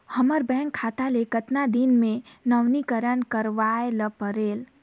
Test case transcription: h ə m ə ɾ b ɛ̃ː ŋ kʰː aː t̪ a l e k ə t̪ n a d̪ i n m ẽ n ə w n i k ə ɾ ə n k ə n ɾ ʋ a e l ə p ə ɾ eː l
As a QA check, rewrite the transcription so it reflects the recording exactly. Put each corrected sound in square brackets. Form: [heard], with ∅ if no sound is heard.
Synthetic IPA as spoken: h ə m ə ɾ b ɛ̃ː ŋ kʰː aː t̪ a l e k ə t̪ n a d̪ i n m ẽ n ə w n i k ə ɾ ə n k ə [∅] ɾ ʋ a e l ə p ə ɾ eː l